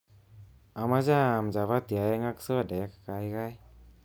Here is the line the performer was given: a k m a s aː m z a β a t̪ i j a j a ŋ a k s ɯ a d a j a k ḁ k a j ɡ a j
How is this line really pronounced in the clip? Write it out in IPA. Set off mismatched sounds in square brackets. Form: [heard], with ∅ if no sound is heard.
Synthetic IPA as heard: a [∅] m a [z] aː m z a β a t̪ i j a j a ŋ a k s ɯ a d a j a k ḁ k a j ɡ a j